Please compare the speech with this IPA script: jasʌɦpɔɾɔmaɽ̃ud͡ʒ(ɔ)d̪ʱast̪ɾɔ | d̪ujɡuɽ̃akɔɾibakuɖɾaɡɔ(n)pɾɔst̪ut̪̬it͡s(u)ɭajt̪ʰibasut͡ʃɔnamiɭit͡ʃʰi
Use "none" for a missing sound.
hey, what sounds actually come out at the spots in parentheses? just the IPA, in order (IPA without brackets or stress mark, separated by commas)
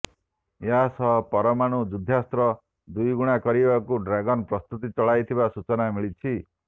u, n, ɔ